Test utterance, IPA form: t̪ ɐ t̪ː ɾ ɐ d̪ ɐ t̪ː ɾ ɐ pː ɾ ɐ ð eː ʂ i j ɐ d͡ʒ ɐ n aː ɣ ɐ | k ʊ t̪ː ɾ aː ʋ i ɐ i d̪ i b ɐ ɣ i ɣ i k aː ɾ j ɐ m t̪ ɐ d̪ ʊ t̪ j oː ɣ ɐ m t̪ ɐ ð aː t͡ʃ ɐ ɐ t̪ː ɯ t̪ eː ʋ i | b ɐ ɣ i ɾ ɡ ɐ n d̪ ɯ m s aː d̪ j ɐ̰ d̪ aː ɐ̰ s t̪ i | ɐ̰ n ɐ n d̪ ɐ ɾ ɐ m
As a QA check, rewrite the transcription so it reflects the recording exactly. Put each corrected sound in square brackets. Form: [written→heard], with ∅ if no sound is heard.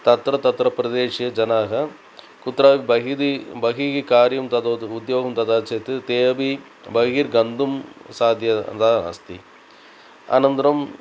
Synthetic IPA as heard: t̪ ɐ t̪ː ɾ ɐ [d̪→t̪] ɐ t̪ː ɾ ɐ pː ɾ ɐ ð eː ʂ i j ɐ d͡ʒ ɐ n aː ɣ ɐ | k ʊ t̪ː ɾ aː ʋ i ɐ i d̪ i b ɐ ɣ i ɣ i k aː ɾ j ɐ m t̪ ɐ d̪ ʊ [t̪→d̪] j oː ɣ ɐ m t̪ ɐ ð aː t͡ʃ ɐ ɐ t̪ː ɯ t̪ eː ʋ i | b ɐ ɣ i ɾ ɡ ɐ n d̪ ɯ m s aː d̪ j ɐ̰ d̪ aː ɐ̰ s t̪ i | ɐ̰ n ɐ n d̪ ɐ ɾ ɐ m